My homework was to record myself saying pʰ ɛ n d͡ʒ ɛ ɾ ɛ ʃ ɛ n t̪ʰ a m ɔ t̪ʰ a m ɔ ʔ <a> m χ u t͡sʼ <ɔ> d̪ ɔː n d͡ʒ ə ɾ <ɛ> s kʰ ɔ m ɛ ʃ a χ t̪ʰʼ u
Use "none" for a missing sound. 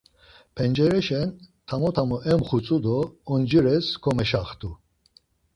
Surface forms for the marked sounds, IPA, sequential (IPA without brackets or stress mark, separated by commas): ɛ, u, ɛ